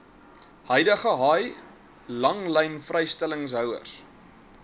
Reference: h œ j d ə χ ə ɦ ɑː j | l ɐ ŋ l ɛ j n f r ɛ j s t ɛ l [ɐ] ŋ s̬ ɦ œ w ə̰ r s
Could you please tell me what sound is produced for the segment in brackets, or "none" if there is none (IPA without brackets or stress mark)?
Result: ə